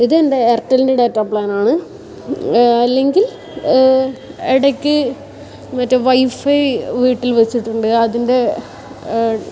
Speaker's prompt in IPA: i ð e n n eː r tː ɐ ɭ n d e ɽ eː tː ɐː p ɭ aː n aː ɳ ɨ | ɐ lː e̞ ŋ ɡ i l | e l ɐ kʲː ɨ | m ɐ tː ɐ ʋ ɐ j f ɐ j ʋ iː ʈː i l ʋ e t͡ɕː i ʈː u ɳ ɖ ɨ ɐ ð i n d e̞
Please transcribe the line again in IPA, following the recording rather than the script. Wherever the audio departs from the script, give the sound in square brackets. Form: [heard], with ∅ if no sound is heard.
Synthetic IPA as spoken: i ð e n [d] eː r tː ɐ [l] n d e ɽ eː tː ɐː p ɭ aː n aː ɳ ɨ | ɐ lː e̞ ŋ ɡ i l | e [ɽ] ɐ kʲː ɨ | m ɐ tː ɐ ʋ ɐ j f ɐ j ʋ iː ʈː i l ʋ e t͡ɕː i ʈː u ɳ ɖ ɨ ɐ ð i n d e̞